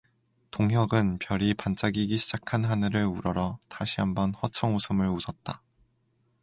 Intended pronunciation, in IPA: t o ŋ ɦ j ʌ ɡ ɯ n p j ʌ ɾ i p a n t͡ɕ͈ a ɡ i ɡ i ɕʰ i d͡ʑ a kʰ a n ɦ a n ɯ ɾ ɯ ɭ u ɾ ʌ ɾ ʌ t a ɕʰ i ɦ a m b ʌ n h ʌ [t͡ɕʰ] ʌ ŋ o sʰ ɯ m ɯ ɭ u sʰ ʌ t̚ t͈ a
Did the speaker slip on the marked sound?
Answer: no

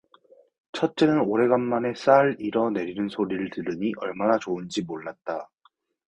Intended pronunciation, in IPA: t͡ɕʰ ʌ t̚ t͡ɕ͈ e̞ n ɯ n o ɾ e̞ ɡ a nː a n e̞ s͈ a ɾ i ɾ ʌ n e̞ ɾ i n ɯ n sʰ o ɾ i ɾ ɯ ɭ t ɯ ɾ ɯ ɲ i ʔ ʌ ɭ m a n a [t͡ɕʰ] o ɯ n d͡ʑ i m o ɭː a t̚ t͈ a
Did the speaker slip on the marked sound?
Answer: yes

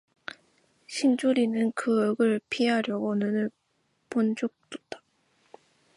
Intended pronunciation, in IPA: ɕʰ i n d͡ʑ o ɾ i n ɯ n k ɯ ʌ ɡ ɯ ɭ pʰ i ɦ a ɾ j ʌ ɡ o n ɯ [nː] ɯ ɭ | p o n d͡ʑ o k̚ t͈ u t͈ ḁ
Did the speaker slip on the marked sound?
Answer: yes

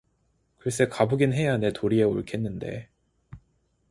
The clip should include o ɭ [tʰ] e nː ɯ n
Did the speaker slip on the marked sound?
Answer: yes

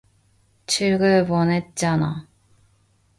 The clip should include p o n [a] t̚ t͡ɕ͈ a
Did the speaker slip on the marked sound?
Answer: yes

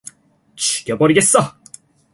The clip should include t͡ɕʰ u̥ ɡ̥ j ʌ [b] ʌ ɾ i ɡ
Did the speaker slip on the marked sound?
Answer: no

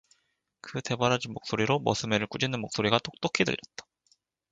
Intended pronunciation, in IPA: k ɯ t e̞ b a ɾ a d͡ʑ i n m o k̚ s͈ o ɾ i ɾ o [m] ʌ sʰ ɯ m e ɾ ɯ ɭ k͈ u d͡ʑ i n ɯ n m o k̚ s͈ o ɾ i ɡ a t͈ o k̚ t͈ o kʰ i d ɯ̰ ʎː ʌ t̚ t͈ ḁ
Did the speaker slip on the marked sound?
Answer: no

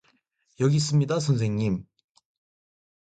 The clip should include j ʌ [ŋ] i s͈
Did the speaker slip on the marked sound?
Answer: yes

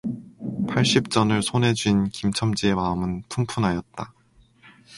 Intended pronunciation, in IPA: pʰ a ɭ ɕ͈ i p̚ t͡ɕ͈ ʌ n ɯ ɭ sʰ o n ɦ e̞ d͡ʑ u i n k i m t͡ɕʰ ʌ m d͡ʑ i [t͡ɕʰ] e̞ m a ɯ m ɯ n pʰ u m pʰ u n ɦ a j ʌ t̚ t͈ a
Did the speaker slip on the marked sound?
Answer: yes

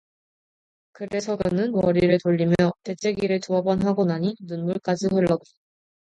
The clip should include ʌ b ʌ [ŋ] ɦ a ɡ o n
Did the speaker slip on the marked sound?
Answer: yes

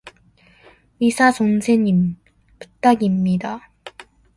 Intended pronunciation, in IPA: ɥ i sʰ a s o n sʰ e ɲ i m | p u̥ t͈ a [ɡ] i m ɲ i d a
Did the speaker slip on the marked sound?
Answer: no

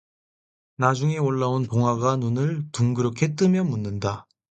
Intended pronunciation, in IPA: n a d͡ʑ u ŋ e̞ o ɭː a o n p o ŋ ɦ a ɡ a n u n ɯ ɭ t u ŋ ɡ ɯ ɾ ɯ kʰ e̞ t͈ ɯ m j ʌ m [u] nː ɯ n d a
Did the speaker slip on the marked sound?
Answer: no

